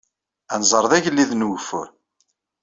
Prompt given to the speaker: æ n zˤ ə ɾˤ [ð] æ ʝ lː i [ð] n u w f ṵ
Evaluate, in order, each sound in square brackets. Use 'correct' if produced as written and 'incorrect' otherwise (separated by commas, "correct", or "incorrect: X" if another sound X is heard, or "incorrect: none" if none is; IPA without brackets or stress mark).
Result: correct, correct